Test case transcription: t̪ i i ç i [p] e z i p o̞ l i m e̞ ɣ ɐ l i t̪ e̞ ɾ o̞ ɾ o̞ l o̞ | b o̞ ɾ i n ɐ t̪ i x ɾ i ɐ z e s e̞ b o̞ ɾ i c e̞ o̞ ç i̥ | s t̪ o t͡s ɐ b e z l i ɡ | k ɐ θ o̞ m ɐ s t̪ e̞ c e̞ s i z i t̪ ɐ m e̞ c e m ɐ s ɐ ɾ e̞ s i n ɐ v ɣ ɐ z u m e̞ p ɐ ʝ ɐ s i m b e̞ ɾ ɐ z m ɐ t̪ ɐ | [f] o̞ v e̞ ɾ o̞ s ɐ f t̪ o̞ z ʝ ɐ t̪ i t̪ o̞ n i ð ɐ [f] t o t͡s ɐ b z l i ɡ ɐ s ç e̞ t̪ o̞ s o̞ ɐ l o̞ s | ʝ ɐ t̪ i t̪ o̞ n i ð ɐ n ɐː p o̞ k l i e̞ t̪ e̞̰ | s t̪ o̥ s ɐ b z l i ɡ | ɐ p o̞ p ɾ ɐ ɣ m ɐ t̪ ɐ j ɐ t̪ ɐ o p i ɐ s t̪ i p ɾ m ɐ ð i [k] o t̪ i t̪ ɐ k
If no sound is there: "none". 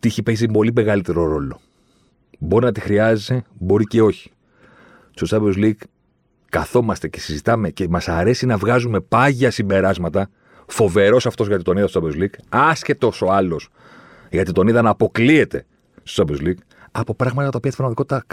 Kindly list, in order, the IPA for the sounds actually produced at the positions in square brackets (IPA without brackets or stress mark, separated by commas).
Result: p, f, s, k